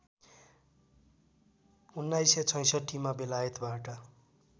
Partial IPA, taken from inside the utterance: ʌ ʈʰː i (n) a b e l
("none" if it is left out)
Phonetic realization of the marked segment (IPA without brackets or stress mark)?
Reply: m